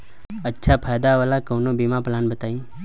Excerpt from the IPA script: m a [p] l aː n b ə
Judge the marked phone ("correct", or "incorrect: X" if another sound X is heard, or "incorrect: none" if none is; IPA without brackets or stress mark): correct